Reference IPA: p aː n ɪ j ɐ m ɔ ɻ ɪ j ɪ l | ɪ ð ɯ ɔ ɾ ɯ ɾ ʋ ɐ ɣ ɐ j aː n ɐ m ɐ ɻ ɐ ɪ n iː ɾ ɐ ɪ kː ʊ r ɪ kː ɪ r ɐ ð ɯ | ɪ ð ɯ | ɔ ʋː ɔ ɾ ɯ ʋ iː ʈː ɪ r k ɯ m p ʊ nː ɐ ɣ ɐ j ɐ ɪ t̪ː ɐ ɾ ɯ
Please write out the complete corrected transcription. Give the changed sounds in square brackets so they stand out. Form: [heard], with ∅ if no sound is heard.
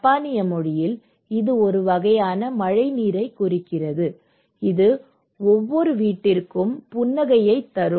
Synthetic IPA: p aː n ɪ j ɐ m ɔ ɻ ɪ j ɪ l | ɪ ð ɯ ɔ ɾ ɯ [∅] ʋ ɐ ɣ ɐ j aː n ɐ m ɐ ɻ ɐ ɪ n iː ɾ ɐ ɪ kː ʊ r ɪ kː ɪ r ɐ ð ɯ | ɪ ð ɯ | ɔ ʋː ɔ ɾ ɯ ʋ iː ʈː ɪ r k ɯ m p ʊ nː ɐ ɣ ɐ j ɐ ɪ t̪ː ɐ ɾ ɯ